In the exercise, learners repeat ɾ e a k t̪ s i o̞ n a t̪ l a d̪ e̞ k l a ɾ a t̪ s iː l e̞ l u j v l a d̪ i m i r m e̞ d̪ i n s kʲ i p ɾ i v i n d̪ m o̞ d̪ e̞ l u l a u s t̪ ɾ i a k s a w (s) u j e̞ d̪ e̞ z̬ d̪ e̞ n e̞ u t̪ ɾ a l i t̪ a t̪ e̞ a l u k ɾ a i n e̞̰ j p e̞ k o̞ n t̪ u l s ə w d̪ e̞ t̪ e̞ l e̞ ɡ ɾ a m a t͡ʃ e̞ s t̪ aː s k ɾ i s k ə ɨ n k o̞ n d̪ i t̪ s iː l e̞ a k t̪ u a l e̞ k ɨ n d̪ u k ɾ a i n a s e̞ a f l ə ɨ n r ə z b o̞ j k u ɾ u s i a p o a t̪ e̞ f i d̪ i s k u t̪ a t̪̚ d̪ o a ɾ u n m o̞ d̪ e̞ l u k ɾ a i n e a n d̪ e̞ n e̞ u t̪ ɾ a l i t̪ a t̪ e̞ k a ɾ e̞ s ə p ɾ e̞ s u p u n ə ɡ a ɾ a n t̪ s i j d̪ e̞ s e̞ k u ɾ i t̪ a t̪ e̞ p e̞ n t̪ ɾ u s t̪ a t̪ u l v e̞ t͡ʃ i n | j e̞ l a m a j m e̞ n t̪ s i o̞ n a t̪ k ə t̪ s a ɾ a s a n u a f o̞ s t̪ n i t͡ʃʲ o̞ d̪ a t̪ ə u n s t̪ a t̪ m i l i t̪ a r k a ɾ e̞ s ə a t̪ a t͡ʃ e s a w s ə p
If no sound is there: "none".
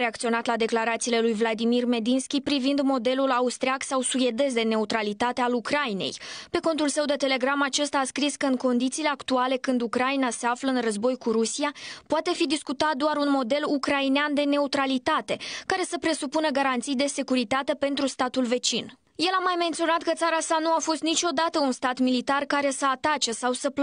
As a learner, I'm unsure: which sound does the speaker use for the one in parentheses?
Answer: s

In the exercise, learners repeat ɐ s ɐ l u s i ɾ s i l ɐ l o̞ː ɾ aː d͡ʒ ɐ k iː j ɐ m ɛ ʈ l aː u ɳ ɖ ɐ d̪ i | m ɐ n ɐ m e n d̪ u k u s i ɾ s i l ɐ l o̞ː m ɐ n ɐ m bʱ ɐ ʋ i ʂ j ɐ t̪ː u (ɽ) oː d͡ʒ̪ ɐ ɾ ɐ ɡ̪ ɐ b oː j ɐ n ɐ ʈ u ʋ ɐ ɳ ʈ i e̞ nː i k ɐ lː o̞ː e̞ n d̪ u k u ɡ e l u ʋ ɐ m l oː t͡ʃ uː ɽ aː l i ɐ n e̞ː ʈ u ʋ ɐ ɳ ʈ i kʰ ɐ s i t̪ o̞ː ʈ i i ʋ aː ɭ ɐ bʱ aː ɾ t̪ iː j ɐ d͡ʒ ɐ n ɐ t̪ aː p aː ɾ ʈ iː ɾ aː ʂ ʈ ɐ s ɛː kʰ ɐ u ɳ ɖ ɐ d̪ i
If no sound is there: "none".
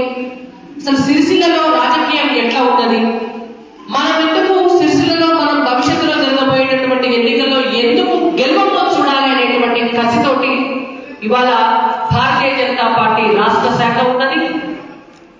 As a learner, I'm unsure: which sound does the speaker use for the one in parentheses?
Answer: l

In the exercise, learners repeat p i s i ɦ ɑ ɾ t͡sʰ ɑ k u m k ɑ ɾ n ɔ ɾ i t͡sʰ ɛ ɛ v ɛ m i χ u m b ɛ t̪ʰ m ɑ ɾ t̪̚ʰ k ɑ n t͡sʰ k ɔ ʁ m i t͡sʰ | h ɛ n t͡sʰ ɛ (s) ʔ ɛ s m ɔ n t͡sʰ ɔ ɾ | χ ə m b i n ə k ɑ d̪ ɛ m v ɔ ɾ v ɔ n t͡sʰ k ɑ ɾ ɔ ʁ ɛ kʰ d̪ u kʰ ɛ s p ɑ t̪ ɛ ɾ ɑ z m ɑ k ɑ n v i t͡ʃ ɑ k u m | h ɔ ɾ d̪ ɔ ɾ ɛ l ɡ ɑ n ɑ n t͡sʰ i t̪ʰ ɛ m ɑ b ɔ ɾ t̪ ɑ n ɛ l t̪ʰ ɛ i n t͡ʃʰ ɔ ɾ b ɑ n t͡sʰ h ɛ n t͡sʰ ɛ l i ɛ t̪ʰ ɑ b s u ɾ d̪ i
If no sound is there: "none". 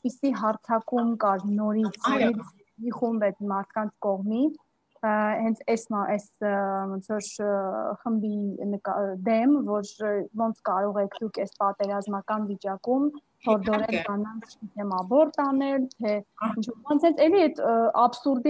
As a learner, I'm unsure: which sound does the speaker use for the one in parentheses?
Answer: s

